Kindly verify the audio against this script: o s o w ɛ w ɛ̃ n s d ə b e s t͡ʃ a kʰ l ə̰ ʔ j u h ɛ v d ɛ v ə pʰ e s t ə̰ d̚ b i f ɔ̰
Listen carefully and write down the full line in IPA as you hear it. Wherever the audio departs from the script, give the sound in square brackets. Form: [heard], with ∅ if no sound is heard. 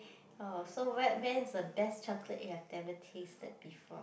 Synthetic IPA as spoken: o s o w ɛ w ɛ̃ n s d ə b [ɛ] s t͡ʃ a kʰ l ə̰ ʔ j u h ɛ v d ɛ v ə [tʰ] e s t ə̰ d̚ b i f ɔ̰